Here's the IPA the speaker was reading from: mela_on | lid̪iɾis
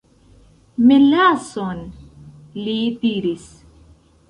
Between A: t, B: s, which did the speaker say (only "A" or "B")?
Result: B